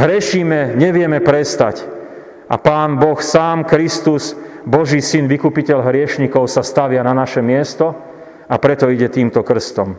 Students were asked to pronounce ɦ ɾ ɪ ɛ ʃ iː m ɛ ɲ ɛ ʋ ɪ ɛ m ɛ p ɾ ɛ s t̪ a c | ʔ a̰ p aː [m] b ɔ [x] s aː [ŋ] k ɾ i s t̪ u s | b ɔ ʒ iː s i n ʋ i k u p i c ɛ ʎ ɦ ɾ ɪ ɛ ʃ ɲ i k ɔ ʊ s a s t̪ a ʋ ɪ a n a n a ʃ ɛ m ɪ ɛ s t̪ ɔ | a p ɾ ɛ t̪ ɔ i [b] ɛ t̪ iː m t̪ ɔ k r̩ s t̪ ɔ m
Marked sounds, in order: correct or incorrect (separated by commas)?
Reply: incorrect, correct, incorrect, incorrect